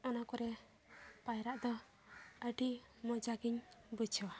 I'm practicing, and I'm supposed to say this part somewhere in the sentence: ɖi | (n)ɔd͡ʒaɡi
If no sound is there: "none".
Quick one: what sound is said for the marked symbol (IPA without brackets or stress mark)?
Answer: m